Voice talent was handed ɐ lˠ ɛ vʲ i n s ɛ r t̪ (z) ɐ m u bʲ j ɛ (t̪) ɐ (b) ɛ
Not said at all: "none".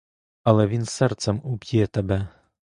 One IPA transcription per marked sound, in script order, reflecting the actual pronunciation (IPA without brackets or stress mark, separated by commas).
s, t̪, b